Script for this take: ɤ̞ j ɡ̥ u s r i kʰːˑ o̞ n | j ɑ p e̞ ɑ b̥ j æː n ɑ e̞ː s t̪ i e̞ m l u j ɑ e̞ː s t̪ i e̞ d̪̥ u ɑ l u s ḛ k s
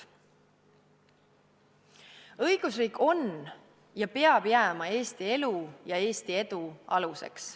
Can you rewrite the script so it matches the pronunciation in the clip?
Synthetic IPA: ɤ̞ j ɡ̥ u s r iː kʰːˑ o̞ n | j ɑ p e̞ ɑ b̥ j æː m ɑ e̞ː s t̪ i e̞ l u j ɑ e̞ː s t̪ i e̞ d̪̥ u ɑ l u s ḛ k s